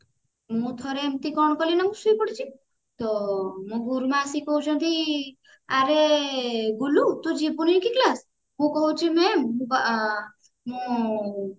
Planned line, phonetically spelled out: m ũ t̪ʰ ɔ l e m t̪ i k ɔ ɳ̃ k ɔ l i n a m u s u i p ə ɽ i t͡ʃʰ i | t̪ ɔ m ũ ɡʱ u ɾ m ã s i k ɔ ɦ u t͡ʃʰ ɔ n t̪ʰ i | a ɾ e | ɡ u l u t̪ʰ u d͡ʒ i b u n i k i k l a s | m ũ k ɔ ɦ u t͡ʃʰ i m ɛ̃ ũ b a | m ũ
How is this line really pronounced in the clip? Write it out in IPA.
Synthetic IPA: m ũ t̪ʰ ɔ ɾ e m t̪ i k ɔ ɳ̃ k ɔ l i n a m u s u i p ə ɽ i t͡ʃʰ i | t̪ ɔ m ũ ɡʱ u ɾ m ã s i k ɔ ɦ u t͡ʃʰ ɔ n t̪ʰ i | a ɾ e | ɡ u l u t̪ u d͡ʒ i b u n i k i k l a s | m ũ k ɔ ɦ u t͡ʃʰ i m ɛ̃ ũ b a | m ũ